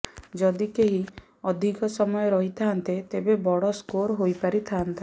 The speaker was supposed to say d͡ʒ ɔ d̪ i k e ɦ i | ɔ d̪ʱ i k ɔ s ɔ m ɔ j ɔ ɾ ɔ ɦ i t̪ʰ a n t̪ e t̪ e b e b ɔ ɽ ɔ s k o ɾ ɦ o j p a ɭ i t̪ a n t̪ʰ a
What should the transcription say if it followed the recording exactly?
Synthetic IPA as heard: d͡ʒ ɔ d̪ i k e ɦ i | ɔ d̪ʱ i k ɔ s ɔ m ɔ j ɔ ɾ ɔ ɦ i t̪ʰ a n t̪ e t̪ e b e b ɔ ɽ ɔ s k o ɾ ɦ o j p a ɾ i t̪ʰ a n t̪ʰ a

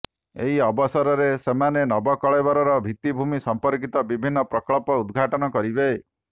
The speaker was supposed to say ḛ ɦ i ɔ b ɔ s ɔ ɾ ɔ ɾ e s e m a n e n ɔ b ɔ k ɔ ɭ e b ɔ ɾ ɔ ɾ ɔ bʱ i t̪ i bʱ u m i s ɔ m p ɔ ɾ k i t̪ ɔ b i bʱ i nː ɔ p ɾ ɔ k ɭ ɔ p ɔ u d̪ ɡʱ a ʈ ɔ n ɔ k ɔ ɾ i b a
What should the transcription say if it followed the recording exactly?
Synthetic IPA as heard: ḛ ɦ i ɔ b ɔ s ɔ ɾ ɔ ɾ e s e m a n e n ɔ b ɔ k ɔ ɭ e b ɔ ɾ ɔ ɾ ɔ bʱ i t̪ i bʱ u m i s ɔ m p ɔ ɾ k i t̪ ɔ b i bʱ i nː ɔ p ɾ ɔ k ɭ ɔ p ɔ u d̪ ɡʱ a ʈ ɔ n ɔ k ɔ ɾ i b e

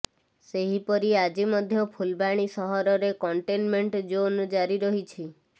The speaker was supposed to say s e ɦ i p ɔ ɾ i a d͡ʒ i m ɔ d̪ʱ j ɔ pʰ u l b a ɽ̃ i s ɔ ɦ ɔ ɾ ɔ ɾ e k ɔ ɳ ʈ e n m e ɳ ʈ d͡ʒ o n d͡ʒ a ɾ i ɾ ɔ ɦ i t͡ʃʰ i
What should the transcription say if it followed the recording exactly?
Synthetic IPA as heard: s e ɦ i p ɔ ɾ i a d͡ʒ i m ɔ d̪ʱ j ɔ pʰ u l b a ɽ̃ i s ɔ ɦ ɔ ɾ ɔ ɾ e k ɔ ɳ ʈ e n m e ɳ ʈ d͡ʒ o n d͡ʒ a ɾ i ɾ ɔ ɦ i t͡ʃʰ i

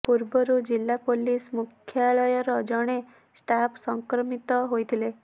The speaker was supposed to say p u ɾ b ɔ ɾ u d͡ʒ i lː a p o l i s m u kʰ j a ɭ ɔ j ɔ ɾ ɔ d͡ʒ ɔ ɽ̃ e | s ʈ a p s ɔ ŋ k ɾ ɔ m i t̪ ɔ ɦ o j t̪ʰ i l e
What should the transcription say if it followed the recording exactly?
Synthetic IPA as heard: p u ɾ b ɔ ɾ u d͡ʒ i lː a p o l i s m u kʰ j a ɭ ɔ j ɔ ɾ ɔ d͡ʒ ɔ ɽ̃ e | s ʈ a p s ɔ ŋ k ɾ ɔ m i t̪ ɔ ɦ o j t̪ʰ i l e

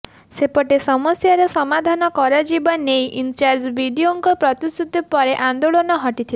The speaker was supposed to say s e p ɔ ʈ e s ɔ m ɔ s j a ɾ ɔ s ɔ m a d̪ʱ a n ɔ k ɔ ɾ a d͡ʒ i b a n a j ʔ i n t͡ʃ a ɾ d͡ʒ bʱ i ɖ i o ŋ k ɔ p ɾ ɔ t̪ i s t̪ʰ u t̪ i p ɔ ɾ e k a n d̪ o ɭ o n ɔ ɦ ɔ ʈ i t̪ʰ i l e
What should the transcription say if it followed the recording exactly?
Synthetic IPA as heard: s e p ɔ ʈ e s ɔ m ɔ s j a ɾ ɔ s ɔ m a d̪ʱ a n ɔ k ɔ ɾ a d͡ʒ i b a n e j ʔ i n t͡ʃ a ɾ d͡ʒ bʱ i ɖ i o ŋ k ɔ p ɾ ɔ t̪ i s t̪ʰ u t̪ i p ɔ ɾ e ʔ a n d̪ o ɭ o n ɔ ɦ ɔ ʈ i t̪ʰ i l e

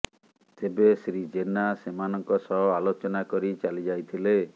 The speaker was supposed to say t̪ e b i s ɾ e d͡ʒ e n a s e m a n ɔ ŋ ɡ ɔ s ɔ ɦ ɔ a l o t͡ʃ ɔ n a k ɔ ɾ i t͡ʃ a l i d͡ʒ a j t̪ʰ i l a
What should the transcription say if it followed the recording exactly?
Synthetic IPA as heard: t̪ e b e s ɾ i d͡ʒ e n a s e m a n ɔ ŋ k ɔ s ɔ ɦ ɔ a l o t͡ʃ ɔ n a k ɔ ɾ i t͡ʃ a l i d͡ʒ a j t̪ʰ i l e

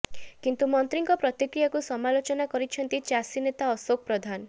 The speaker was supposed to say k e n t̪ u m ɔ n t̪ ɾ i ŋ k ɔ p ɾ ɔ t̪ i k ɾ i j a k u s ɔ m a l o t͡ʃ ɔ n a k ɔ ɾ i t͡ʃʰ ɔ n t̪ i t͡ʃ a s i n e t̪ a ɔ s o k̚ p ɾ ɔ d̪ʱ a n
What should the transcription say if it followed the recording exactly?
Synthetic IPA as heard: k i n t̪ u m ɔ n t̪ ɾ i ŋ k ɔ p ɾ ɔ t̪ i k ɾ i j a k u s ɔ m a l o t͡ʃ ɔ n a k ɔ ɾ i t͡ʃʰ ɔ n t̪ i t͡ʃ a s i n e t̪ a ɔ s o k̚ p ɾ ɔ d̪ʱ a n

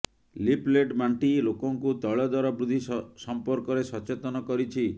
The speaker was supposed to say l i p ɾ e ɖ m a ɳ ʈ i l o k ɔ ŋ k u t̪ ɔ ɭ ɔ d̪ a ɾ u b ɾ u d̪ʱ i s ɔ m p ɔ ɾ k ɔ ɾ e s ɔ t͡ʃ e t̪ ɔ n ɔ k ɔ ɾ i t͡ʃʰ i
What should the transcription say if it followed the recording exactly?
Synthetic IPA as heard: l i p l e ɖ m a ɳ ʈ i l o k ɔ ŋ k u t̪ ɔ ɭ ɔ d̪ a ɾ ɔ b ɾ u d̪ʱ i s ɔ m p ɔ ɾ k ɔ ɾ e s ɔ t͡ʃ e t̪ ɔ n ɔ k ɔ ɾ i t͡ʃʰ i

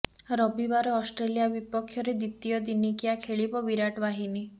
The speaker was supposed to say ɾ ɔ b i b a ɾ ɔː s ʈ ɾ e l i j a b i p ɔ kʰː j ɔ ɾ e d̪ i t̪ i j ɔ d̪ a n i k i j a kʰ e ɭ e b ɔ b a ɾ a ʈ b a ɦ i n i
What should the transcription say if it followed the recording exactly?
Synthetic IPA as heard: ɾ ɔ b i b a ɾ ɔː s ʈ ɾ e l i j a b i p ɔ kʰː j ɔ ɾ e d̪ i t̪ i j ɔ d̪ i n i k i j a kʰ e ɭ i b ɔ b i ɾ a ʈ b a ɦ i n i

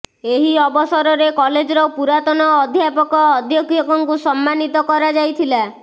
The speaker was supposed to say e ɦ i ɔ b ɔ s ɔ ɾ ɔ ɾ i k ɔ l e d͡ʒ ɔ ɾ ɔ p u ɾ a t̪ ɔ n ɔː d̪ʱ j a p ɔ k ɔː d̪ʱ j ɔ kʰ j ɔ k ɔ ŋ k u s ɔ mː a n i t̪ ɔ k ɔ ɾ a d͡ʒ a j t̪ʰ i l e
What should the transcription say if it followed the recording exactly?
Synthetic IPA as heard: e ɦ i ɔ b ɔ s ɔ ɾ ɔ ɾ e k ɔ l e d͡ʒ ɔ ɾ ɔ p u ɾ a t̪ ɔ n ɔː d̪ʱ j a p ɔ k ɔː d̪ʱ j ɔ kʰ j ɔ k ɔ ŋ k u s ɔ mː a n i t̪ ɔ k ɔ ɾ a d͡ʒ a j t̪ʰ i l a

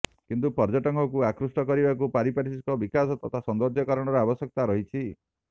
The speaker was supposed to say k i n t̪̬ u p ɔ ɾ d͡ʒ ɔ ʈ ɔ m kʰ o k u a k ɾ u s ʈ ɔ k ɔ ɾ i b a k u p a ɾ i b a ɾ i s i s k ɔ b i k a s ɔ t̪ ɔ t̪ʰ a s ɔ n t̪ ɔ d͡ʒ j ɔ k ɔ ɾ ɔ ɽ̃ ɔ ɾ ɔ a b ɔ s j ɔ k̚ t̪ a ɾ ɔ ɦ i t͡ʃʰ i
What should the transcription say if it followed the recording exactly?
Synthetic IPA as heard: k i n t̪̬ u p ɔ ɾ d͡ʒ ɔ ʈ ɔ ŋ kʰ ɔ k u a k ɾ u s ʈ ɔ k ɔ ɾ i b a k u p a ɾ i p a ɾ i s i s k ɔ b i k a s ɔ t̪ ɔ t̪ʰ a s ɔ n d̪ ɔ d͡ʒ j ɔ k ɔ ɾ ɔ ɽ̃ ɔ ɾ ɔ a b ɔ s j ɔ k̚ t̪ a ɾ ɔ ɦ i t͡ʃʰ i

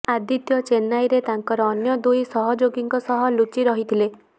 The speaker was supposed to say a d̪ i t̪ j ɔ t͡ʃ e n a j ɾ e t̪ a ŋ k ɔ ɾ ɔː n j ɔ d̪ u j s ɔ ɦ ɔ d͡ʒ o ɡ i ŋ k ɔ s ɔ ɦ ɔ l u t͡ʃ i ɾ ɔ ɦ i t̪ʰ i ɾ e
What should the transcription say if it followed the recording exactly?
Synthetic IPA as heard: a d̪ i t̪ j ɔ t͡ʃ e n a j ɾ e t̪ a ŋ k ɔ ɾ ɔː n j ɔ d̪ u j s ɔ ɦ ɔ d͡ʒ o ɡ i ŋ k ɔ s ɔ ɦ ɔ l u t͡ʃ i ɾ ɔ ɦ i t̪ʰ i l e

